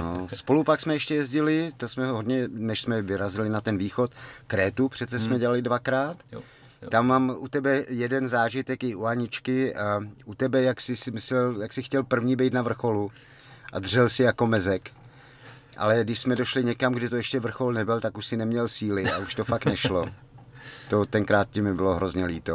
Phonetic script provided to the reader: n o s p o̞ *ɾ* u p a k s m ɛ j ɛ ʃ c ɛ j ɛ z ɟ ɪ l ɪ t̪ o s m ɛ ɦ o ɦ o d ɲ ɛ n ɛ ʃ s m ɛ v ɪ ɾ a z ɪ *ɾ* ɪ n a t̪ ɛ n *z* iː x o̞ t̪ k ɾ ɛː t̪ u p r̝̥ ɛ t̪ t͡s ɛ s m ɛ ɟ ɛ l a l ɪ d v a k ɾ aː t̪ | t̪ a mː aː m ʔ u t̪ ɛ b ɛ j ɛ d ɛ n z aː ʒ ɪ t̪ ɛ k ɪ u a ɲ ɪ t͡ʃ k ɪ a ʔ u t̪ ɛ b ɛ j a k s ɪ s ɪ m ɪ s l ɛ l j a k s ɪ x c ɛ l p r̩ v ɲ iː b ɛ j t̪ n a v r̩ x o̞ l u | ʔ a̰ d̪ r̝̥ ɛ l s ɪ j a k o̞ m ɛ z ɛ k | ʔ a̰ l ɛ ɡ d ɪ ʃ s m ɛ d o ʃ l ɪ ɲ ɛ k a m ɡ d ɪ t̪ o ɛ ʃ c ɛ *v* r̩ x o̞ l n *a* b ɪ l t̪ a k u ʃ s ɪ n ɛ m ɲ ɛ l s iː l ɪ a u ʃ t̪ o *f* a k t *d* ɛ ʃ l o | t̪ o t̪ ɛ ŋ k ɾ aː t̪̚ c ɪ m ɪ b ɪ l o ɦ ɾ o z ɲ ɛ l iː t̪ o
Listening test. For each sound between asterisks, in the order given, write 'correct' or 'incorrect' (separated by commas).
incorrect, incorrect, incorrect, correct, incorrect, correct, incorrect